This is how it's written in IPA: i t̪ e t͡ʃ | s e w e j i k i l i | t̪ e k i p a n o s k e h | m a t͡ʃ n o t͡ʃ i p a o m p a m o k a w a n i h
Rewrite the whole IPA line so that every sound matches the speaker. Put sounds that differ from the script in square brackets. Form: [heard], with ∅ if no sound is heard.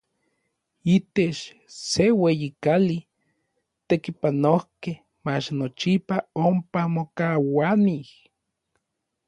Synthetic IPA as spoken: i t̪ e t͡ʃ | s e w e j i k [a] l i | t̪ e k i p a n o [h] k e h | m a t͡ʃ n o t͡ʃ i p a o m p a m o k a w a n i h

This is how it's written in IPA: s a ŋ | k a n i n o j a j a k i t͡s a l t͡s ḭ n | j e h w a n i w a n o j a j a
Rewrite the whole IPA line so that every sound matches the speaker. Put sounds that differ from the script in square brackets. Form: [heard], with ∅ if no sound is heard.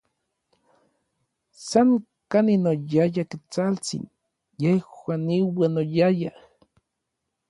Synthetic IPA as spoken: s a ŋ | k a n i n o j a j a k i t͡s a l t͡s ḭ n | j e h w a n i w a n o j a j a

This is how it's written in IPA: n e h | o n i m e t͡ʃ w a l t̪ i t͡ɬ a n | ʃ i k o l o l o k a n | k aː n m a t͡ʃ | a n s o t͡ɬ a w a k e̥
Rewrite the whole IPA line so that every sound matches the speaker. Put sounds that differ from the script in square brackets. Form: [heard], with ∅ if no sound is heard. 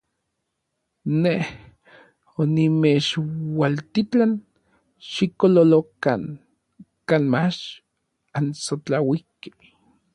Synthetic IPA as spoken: n e h | o n i m e t͡ʃ w a l t̪ i t͡ɬ a n | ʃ i k o l o l o k a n | k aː n m a t͡ʃ | a n s o t͡ɬ a w [i] k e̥

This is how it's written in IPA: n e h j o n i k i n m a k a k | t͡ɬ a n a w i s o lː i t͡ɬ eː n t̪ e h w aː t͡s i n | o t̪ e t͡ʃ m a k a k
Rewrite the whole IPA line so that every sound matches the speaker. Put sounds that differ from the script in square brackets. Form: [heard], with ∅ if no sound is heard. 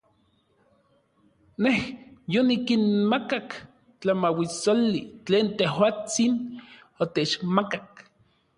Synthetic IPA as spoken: n e h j o n i k i n m a k a k | t͡ɬ a [m] a w i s o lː i t͡ɬ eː n t̪ e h w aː t͡s i n | o t̪ e t͡ʃ m a k a k

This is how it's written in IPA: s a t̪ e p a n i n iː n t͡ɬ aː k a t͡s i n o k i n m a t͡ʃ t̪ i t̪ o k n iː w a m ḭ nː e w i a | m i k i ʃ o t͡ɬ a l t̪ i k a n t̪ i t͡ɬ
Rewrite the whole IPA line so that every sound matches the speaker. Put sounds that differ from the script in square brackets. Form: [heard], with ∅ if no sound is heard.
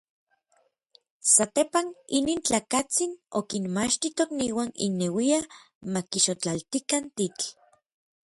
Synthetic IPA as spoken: s a t̪ e p a n i n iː n t͡ɬ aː k a t͡s i n o k i n m a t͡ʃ t̪ i t̪ o k n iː w a [n] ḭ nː e w i a | m [a] k i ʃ o t͡ɬ a l t̪ i k a n t̪ i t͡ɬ

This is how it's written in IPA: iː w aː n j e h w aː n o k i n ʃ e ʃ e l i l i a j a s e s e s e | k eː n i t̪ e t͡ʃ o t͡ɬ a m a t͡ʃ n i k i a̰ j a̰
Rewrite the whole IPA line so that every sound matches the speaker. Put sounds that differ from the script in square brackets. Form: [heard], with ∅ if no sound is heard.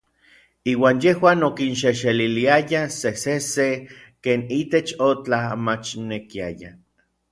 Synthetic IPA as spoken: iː w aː n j e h w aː n o k i n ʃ e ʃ e l i l i a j a s e s e s e | k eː n i t̪ e t͡ʃ o t͡ɬ a m a t͡ʃ n [e] k i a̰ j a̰

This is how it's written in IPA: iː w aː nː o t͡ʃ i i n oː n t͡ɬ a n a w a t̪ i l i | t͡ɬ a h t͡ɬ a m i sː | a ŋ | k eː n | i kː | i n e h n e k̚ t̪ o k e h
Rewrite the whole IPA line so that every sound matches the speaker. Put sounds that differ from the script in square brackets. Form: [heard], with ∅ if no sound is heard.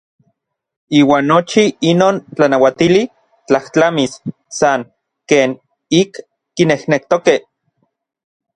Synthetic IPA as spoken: iː w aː nː o t͡ʃ i i n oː n t͡ɬ a n a w a t̪ i l i | t͡ɬ a h t͡ɬ a m i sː | a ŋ | k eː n | i kː | i n e h n e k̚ t̪ o k e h

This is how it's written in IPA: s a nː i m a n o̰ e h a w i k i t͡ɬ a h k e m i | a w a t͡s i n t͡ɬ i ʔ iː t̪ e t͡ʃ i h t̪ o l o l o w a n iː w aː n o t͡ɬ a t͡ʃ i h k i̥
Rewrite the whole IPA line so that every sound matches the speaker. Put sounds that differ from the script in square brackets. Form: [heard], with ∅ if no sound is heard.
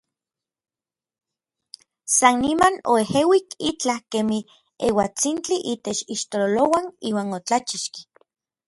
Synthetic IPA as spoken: s a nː i m a n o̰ e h [e] w i k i t͡ɬ a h k e m i | [e] w a t͡s i n t͡ɬ i ʔ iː t̪ e t͡ʃ i [ʃ] t̪ o l o l o w a n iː w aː n o t͡ɬ a t͡ʃ i [ʃ] k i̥

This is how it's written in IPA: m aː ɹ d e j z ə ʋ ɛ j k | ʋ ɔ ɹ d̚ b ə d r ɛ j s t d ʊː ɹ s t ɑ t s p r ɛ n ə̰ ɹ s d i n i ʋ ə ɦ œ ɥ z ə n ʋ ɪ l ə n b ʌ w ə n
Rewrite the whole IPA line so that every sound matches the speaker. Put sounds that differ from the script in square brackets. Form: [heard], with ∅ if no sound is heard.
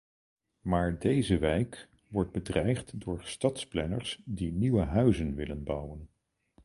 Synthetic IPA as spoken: m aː ɹ d e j z ə ʋ ɛ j k | ʋ ɔ ɹ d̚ b ə d r ɛ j [χ] t d ʊː ɹ s t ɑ t s p [l] ɛ n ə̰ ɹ s d i n i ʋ ə ɦ œ ɥ z ə n ʋ ɪ l ə n b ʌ w ə n

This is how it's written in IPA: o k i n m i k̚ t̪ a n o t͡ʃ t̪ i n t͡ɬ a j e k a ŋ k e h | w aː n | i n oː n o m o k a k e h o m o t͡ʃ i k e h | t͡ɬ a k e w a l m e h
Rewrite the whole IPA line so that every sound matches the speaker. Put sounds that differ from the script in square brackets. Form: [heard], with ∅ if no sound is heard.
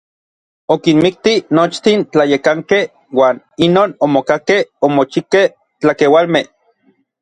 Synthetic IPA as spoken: o k i n m i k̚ t̪ [i] n o t͡ʃ t̪ i n t͡ɬ a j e k a ŋ k e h | w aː n | i n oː n o m o k a k e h o m o t͡ʃ i k e h | t͡ɬ a k e w a l m e h

